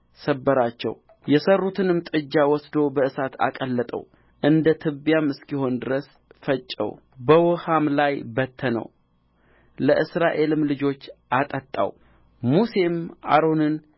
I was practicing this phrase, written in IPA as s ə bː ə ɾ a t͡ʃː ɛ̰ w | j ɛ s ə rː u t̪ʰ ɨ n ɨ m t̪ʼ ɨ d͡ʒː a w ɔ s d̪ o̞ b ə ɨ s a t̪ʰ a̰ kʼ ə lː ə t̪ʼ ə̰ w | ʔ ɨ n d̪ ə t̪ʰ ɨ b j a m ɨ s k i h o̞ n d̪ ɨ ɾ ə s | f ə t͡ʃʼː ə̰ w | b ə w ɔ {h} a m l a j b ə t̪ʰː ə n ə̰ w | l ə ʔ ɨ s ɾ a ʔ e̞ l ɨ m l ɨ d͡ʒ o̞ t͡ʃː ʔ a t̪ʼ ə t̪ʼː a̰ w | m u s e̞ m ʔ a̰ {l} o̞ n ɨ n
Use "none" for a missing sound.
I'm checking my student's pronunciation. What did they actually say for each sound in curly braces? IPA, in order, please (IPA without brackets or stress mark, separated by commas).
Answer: h, ɾ